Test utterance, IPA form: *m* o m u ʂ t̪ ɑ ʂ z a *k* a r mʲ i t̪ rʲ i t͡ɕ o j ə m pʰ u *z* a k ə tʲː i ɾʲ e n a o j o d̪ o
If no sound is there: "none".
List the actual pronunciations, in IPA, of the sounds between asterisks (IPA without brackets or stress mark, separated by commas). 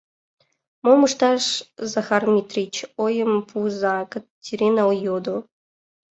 m, x, z